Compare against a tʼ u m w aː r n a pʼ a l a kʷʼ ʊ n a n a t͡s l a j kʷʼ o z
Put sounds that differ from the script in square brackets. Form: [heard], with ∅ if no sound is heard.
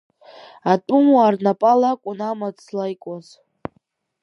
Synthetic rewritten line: a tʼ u m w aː r n a pʼ a l a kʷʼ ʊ n a [m] a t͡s l a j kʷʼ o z